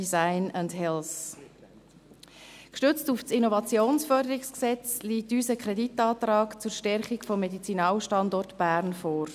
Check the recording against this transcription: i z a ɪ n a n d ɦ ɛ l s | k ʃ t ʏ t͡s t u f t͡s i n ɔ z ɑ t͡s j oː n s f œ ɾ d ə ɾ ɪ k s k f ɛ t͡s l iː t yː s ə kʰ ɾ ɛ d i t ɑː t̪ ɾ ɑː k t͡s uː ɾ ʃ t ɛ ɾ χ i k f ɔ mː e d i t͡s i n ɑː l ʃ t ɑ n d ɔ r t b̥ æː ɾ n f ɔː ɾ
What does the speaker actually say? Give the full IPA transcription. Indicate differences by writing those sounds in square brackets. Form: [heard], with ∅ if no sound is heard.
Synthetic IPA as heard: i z a ɪ n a n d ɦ ɛ l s | k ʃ t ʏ t͡s t u f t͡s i n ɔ [v] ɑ t͡s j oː n s f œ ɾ d ə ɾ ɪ k s k [s] ɛ t͡s l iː t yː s ə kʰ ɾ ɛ d i t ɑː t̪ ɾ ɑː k t͡s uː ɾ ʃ t ɛ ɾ χ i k f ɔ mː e d i t͡s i n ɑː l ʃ t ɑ n d ɔ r t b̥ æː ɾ n f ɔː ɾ

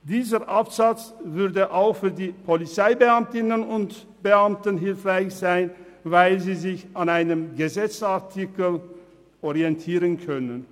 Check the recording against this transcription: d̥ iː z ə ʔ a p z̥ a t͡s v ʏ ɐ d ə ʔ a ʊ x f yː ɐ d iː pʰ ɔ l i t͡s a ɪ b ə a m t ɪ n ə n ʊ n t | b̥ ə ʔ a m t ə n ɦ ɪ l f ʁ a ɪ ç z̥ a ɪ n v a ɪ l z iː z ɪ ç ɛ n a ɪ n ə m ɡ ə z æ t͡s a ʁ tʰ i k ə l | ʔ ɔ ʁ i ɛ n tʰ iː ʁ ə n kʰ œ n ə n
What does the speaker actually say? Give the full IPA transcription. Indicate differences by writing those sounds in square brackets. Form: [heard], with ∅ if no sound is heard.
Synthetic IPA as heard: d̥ iː z ə ʔ a p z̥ a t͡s v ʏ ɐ d ə ʔ a ʊ x f yː ɐ d iː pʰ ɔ l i t͡s a ɪ b ə a m t ɪ n ə n ʊ n t | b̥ ə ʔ a m t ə n ɦ ɪ l f ʁ a ɪ ç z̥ a ɪ n v a ɪ l z iː z ɪ ç [a] n a ɪ n ə m ɡ ə z [ɛ] t͡s a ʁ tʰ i k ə l | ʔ ɔ ʁ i ɛ n tʰ iː ʁ ə n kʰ œ n ə n

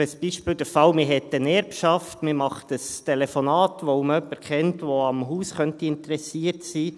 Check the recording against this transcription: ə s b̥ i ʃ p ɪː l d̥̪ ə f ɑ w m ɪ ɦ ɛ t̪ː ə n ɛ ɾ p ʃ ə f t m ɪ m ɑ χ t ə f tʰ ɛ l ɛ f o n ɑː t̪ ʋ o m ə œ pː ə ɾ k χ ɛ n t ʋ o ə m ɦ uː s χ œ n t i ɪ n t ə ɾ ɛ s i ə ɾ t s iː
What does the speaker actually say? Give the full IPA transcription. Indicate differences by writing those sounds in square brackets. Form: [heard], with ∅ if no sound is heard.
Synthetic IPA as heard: ə s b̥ i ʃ p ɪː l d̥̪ ə f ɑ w m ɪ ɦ ɛ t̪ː ə n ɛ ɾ p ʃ [ɑ] f t m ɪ m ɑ χ t ə [s] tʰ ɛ l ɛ f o n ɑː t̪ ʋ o m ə œ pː ə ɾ k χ ɛ n t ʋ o [ɑ] m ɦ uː s χ œ n t i ɪ n t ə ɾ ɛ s i ə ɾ t s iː

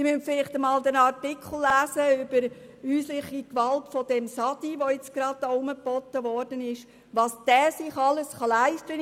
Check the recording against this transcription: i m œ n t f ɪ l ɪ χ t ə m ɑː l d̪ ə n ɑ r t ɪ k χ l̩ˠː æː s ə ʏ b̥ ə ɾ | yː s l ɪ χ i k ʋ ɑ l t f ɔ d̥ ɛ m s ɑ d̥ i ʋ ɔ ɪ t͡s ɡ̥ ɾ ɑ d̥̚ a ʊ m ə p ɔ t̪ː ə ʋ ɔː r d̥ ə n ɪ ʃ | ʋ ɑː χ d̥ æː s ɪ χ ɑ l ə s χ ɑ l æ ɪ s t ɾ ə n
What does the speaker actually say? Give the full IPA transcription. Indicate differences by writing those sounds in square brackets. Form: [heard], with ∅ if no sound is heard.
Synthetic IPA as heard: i m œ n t f ɪ l ɪ χ t ə m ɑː l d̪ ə n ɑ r t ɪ k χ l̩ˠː æː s ə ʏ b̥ ə ɾ | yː s l ɪ χ i k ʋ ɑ l t f ɔ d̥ ɛ m s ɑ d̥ i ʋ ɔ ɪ t͡s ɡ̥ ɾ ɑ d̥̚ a ʊ m ə p ɔ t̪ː ə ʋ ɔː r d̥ ə n ɪ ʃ | ʋ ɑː [s] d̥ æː s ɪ χ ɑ l ə s χ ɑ l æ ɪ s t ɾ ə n

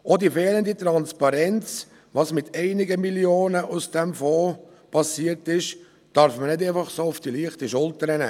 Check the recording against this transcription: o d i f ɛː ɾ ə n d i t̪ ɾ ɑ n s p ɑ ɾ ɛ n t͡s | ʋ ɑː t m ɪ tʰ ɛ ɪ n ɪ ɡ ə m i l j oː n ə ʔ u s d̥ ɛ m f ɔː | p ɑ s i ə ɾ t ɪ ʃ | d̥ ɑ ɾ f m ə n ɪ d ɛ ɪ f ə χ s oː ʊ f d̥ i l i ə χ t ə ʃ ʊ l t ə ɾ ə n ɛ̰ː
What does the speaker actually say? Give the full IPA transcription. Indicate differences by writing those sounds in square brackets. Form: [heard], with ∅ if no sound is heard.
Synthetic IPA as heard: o d i f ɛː [l] ə n d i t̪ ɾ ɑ n s p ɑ ɾ ɛ n t͡s | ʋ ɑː [s] m ɪ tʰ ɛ ɪ n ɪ ɡ ə m i l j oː n ə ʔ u s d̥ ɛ m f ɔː | p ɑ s i ə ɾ t ɪ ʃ | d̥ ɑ ɾ f m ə n ɪ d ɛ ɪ f [ɑ] χ s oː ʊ f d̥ i l i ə χ t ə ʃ ʊ l t ə ɾ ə n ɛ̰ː

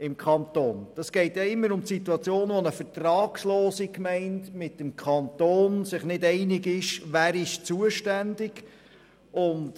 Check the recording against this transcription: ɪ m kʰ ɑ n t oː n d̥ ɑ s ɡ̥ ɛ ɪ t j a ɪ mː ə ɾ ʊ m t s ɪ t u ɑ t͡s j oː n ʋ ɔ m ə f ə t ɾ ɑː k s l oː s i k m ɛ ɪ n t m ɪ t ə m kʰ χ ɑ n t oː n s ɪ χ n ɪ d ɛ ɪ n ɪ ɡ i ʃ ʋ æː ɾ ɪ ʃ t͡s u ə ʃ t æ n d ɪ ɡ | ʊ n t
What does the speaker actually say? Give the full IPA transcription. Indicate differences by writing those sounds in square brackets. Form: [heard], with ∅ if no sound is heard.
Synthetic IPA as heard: ɪ m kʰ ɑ n t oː n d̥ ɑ s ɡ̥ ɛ ɪ t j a ɪ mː ə ɾ ʊ m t s [i] t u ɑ t͡s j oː n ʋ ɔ [n] ə f ə t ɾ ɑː k s l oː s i k m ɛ ɪ n t m ɪ t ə m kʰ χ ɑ n t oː n s ɪ χ n ɪ d ɛ ɪ n ɪ ɡ [ɪ] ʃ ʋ æː ɾ ɪ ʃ t͡s u ə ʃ t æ n d ɪ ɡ | ʊ n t

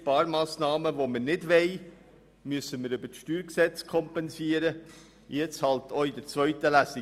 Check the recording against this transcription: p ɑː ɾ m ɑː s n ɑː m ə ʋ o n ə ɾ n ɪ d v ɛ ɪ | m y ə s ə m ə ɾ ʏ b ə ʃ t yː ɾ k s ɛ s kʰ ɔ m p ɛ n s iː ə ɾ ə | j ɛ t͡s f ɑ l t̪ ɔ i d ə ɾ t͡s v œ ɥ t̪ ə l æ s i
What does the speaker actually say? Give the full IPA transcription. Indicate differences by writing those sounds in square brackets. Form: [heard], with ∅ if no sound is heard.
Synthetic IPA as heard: p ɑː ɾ m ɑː s n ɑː m ə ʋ o [m] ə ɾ n ɪ d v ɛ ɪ | m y ə s ə m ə ɾ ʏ b ə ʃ t yː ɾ k s ɛ [t͡s] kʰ ɔ m p ɛ n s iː ə ɾ ə | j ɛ t͡s [h] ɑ l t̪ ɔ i d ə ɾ t͡s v œ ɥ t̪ ə l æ s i

